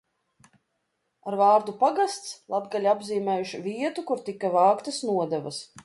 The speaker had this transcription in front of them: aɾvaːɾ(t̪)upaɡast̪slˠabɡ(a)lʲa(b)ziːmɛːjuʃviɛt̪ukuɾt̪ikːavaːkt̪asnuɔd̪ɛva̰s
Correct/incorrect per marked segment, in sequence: incorrect, correct, correct

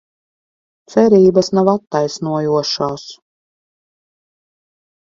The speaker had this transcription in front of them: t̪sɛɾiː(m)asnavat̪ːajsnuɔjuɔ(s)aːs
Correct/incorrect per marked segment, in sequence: incorrect, incorrect

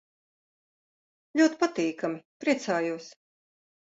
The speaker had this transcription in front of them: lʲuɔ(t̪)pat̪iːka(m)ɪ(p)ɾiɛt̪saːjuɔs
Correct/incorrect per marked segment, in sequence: correct, correct, correct

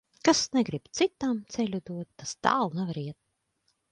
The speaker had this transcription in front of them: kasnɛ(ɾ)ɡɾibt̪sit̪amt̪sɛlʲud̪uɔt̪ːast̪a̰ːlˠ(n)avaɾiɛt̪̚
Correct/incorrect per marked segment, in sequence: incorrect, correct

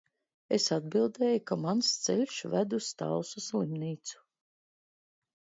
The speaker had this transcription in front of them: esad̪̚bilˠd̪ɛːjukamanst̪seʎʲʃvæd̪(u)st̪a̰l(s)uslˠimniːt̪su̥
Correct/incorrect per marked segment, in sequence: correct, correct

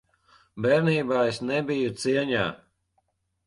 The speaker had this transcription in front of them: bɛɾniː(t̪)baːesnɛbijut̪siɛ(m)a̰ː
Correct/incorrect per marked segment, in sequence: incorrect, incorrect

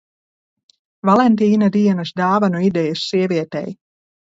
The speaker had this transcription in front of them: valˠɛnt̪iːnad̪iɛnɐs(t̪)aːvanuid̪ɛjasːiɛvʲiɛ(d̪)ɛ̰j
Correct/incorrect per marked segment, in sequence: incorrect, incorrect

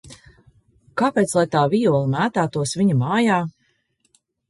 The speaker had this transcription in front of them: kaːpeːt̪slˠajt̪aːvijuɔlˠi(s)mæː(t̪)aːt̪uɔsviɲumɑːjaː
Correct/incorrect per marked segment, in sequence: incorrect, correct

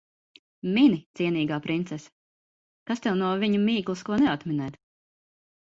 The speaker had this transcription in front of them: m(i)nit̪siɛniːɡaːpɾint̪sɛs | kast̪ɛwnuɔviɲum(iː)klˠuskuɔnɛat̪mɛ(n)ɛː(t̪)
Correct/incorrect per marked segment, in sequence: correct, correct, correct, correct

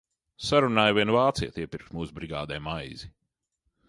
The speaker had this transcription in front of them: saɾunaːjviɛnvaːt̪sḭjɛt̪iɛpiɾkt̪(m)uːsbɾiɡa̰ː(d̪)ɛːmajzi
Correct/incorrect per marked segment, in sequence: correct, correct

